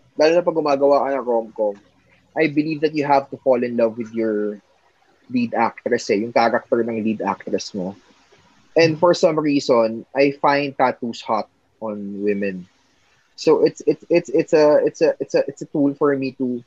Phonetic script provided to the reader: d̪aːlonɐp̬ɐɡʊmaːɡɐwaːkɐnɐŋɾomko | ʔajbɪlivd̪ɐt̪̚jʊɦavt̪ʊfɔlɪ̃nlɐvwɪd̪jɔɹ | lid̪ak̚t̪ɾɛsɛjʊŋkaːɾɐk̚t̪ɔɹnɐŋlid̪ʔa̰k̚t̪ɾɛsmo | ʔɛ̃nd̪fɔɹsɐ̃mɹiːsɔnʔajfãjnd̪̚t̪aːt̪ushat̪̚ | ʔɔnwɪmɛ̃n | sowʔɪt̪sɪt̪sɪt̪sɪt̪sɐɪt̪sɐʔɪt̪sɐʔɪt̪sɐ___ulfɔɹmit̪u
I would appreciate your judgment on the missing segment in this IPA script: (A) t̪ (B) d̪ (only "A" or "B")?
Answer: A